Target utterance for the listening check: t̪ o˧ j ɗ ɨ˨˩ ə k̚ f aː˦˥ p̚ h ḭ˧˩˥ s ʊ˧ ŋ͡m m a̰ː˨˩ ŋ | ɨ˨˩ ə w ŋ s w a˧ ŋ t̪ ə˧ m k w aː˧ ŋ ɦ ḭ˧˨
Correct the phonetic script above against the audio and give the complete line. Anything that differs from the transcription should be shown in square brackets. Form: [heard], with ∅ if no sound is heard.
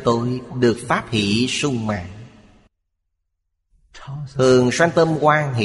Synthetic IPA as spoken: t̪ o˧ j ɗ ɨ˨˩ ə k̚ f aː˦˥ p̚ h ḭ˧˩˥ s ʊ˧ ŋ͡m m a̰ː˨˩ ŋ | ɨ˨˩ ə [∅] ŋ s w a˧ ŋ t̪ ə˧ m k w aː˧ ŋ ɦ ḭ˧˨